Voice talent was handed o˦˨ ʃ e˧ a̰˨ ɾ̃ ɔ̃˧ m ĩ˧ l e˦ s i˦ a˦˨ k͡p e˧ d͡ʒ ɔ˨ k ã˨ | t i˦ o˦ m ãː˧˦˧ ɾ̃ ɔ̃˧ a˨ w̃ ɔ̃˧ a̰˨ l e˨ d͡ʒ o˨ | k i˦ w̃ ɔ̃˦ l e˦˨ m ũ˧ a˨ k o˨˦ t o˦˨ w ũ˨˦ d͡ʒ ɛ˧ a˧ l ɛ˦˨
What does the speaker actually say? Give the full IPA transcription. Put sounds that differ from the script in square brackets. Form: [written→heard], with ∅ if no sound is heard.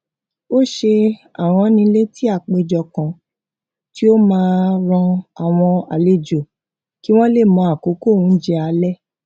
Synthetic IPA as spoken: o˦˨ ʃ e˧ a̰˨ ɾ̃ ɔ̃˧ [m→n] ĩ˧ l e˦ [s→t] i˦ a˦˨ k͡p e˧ d͡ʒ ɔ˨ k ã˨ | t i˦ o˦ m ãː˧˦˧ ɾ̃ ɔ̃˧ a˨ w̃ ɔ̃˧ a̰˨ l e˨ d͡ʒ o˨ | k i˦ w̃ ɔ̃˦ l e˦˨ m [ũ˧→ɔ̃˧] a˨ k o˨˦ [t→k] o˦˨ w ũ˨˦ d͡ʒ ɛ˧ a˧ l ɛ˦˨